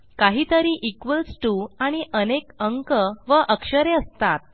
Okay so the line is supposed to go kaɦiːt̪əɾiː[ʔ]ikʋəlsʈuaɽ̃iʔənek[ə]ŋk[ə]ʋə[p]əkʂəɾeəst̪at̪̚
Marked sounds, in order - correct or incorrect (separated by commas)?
correct, correct, correct, incorrect